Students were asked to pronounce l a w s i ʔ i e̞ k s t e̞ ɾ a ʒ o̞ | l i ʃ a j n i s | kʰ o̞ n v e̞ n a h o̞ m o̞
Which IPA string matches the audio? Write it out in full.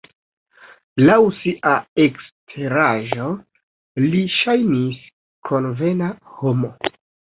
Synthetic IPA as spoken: l a w s i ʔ a e̞ k s tʰ e̞ ɾ a ʒ o̞ | l i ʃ a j n i s | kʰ o̞ n v e̞ n a h o̞ m o̞